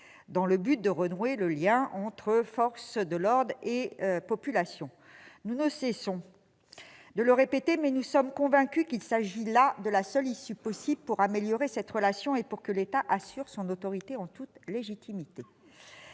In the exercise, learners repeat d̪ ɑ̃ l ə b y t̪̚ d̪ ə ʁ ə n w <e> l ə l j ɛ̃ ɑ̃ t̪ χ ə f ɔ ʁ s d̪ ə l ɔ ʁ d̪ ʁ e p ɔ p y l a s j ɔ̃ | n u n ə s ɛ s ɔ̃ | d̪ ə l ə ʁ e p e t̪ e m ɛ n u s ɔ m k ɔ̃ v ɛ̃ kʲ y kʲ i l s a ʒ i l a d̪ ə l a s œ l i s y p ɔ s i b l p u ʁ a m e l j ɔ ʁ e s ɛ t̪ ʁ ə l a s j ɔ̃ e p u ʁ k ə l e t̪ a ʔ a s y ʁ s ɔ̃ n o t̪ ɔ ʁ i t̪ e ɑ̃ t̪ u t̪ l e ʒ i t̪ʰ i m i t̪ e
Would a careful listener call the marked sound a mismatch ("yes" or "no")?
no